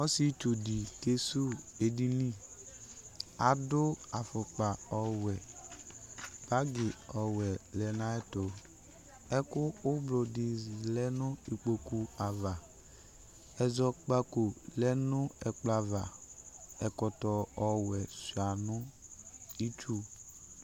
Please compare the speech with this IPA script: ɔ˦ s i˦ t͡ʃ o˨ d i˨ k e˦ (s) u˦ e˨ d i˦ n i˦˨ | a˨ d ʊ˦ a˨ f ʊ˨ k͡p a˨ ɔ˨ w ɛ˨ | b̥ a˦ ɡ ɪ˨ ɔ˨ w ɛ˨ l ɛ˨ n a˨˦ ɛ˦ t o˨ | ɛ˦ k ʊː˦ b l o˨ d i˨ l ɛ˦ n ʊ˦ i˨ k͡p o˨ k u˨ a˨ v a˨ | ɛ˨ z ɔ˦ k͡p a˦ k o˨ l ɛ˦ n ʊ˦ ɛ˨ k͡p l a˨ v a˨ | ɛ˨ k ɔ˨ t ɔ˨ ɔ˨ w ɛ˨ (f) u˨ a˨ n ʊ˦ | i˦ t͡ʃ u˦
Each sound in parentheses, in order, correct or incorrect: correct, incorrect: s

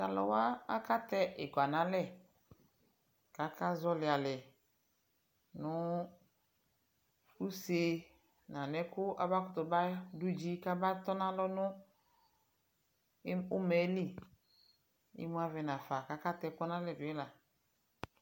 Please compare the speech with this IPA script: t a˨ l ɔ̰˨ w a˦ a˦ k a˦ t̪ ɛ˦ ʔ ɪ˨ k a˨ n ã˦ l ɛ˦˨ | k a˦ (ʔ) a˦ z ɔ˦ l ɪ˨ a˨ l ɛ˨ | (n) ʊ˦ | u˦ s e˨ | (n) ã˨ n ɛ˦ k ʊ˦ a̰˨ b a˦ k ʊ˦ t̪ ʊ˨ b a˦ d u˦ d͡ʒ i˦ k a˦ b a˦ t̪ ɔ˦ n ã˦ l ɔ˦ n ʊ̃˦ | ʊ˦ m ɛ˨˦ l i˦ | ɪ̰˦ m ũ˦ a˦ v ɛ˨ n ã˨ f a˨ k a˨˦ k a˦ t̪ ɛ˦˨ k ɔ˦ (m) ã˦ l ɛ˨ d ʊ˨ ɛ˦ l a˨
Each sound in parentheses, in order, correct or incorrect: incorrect: k, correct, correct, incorrect: n

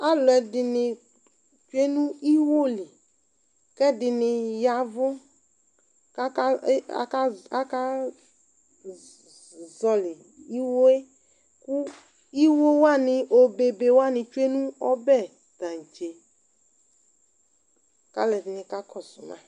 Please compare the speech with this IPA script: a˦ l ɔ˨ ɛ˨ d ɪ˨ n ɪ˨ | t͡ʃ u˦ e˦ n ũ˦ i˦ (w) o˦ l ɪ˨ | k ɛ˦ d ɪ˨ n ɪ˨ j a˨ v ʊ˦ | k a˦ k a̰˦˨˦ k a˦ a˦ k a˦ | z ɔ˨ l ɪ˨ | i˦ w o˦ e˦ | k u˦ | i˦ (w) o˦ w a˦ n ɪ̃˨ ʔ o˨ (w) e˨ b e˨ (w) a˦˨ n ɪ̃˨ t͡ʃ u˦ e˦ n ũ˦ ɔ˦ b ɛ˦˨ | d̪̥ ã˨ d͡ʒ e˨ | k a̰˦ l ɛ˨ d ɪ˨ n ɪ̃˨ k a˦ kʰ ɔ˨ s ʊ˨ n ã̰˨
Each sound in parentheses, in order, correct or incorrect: correct, correct, incorrect: b, correct

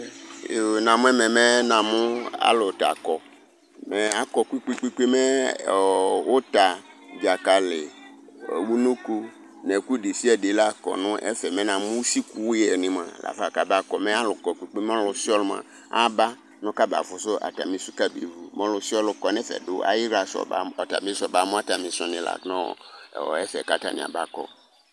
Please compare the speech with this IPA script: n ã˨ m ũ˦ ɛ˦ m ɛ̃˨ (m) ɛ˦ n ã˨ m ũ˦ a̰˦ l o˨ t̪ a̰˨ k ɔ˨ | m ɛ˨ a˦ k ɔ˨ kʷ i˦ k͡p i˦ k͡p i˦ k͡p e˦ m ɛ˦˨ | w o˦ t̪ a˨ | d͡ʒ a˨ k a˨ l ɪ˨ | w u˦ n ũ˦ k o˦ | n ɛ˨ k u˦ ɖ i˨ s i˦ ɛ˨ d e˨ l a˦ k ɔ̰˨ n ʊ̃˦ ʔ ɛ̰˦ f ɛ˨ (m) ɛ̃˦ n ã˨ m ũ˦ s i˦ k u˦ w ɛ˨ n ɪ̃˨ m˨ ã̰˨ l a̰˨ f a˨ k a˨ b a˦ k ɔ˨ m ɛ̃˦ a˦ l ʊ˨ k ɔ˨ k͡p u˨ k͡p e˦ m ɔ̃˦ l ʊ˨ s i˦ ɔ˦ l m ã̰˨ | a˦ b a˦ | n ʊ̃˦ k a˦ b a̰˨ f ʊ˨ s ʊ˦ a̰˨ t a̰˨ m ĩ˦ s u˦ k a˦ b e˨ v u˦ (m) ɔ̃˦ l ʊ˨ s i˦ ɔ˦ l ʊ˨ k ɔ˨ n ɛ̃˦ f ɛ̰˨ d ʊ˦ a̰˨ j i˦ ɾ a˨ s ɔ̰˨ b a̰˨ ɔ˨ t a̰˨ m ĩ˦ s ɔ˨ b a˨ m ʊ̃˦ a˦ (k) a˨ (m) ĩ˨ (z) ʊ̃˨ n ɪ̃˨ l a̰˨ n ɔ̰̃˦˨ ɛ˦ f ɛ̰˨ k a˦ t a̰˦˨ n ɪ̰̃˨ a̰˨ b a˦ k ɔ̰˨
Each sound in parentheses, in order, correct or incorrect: correct, correct, correct, incorrect: t, correct, incorrect: s

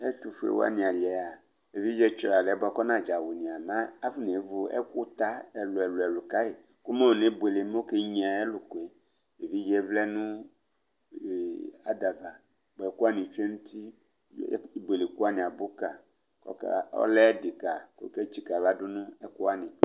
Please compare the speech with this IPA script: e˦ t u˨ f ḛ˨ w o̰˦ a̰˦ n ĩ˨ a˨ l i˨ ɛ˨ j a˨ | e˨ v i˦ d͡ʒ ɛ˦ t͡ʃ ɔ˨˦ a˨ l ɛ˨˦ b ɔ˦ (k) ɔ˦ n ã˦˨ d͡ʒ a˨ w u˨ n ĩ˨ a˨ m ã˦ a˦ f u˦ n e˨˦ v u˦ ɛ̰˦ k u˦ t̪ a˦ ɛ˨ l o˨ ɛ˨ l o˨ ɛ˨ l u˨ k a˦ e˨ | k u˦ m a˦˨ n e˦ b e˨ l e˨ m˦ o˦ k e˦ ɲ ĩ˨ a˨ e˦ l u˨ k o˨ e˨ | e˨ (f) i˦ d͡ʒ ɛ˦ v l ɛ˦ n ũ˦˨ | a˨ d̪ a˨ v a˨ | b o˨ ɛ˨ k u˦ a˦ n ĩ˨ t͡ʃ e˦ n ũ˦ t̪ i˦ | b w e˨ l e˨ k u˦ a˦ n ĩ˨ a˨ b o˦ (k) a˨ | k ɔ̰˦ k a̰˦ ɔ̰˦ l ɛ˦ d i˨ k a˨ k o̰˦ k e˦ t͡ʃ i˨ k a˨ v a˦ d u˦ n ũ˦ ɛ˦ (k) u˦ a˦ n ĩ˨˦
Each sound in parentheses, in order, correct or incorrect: correct, incorrect: v, correct, correct

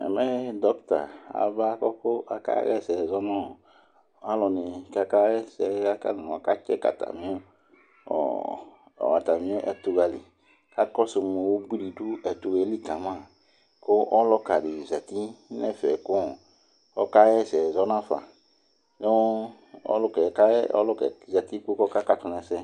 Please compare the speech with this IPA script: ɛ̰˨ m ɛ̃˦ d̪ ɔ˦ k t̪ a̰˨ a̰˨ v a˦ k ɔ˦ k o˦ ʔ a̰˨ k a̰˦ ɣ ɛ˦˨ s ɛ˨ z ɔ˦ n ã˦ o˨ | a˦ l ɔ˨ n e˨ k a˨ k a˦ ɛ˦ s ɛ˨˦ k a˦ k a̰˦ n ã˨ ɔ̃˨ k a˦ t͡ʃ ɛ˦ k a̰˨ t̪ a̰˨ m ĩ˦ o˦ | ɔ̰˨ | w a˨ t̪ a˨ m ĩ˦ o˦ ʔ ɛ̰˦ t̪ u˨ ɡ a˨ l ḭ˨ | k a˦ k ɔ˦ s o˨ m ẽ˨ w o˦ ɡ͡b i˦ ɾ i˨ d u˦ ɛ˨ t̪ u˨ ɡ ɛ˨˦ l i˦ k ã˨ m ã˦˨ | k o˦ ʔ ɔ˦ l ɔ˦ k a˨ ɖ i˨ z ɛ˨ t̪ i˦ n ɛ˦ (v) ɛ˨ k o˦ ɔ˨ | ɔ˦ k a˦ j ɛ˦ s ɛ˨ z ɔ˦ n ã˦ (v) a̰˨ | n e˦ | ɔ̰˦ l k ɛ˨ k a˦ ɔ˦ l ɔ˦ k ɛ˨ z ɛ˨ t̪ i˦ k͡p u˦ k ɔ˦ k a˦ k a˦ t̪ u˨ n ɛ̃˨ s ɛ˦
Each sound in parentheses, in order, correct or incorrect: incorrect: f, incorrect: f

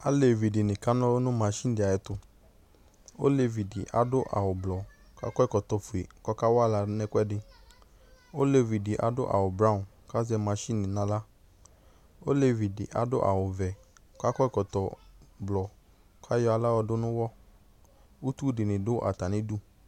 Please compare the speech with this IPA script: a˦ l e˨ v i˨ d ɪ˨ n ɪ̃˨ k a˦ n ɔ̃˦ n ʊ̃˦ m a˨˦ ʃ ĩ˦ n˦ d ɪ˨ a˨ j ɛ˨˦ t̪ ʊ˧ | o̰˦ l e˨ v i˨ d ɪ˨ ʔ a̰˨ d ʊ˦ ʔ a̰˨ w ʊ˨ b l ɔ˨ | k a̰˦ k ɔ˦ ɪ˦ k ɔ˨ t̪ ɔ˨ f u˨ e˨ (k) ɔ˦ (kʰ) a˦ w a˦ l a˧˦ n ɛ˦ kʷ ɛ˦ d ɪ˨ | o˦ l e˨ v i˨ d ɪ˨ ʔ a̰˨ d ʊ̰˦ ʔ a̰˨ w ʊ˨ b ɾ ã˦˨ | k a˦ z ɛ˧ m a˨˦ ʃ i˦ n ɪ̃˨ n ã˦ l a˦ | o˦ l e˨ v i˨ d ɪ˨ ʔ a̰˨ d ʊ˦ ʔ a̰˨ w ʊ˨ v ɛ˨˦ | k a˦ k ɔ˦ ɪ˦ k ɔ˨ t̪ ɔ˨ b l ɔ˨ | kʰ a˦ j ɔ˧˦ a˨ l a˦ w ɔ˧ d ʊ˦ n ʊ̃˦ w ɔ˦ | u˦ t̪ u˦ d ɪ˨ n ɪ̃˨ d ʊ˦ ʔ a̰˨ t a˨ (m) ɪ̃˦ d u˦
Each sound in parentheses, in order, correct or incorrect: correct, incorrect: k, incorrect: n

